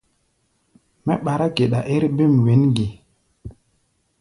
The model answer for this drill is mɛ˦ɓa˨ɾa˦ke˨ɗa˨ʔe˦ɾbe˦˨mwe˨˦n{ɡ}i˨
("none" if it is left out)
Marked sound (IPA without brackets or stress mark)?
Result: ɡ